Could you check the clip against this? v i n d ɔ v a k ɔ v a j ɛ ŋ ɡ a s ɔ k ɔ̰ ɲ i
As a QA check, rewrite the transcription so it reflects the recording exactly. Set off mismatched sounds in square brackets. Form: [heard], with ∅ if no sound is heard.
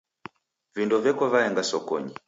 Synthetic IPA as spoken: v i n d ɔ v [ɛ] k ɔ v a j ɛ ŋ ɡ a s ɔ k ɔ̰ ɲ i